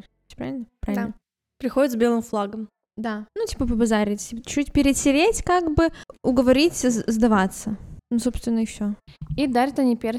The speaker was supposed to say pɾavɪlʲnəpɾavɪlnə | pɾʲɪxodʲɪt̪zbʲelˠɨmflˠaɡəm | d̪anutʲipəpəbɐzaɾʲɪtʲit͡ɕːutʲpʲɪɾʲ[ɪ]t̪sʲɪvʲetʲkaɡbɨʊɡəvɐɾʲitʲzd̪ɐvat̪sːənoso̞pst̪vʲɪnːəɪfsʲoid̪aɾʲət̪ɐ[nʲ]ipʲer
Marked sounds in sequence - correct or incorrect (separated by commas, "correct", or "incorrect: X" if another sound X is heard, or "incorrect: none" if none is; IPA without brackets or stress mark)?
correct, correct